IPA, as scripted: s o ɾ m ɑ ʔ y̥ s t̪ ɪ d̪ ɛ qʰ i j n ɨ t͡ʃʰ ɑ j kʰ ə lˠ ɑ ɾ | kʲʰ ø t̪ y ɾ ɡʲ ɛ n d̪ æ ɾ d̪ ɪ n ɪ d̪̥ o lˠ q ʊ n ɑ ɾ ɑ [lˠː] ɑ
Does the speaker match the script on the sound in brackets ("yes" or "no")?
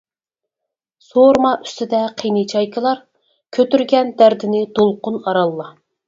yes